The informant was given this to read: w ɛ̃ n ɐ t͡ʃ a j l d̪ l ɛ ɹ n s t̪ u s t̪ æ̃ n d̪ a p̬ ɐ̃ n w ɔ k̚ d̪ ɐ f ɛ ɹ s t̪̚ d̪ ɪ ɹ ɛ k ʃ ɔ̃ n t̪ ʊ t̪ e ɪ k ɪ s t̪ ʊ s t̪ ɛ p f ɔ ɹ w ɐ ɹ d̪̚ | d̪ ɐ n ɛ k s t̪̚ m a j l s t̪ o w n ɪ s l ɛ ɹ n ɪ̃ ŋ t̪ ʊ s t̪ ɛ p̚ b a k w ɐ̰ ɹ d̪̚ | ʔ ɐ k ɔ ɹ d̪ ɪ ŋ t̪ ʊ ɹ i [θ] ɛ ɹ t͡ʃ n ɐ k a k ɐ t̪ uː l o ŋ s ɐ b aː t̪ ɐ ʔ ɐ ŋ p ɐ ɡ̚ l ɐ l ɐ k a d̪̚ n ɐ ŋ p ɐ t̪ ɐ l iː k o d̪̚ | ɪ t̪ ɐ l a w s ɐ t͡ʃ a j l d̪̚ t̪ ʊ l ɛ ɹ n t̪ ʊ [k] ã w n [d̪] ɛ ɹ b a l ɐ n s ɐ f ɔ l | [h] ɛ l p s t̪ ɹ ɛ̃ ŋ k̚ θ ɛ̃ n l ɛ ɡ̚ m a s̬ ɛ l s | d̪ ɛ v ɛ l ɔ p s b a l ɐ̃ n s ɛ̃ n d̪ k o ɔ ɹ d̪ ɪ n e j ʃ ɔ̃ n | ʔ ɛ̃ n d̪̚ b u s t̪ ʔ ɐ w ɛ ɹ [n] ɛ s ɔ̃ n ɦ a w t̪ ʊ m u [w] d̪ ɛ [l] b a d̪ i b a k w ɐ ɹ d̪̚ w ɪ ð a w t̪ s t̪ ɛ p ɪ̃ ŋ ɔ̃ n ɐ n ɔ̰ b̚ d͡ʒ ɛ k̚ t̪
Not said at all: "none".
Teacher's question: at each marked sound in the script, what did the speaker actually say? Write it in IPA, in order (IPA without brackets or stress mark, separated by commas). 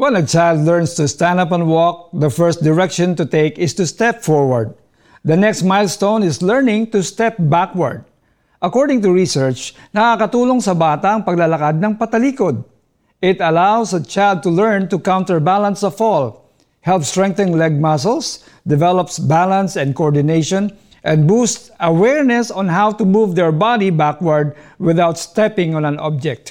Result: s, k, t̪, h, n, v, ɹ